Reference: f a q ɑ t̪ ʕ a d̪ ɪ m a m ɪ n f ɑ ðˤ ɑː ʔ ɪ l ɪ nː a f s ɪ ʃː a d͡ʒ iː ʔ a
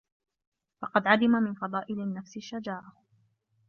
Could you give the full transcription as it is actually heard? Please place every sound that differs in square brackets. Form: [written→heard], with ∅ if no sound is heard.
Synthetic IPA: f [a→ɑ] q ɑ [t̪→d̪] ʕ a d̪ ɪ m a m ɪ n f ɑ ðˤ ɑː ʔ ɪ l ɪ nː a f s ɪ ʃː a d͡ʒ [iː→aː] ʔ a